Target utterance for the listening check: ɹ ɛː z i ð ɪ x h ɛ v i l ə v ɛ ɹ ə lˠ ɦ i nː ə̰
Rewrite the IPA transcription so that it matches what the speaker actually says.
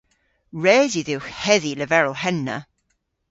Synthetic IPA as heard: ɹ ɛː z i ð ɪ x h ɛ ð i l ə v ɛ ɹ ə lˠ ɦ ɛ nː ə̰